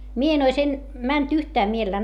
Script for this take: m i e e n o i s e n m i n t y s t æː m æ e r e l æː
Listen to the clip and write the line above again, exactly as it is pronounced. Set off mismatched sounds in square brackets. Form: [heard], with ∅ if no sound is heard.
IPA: m i e e n o i s e n m [æ] n t y [h] t æː m [i] e [l] e [lː] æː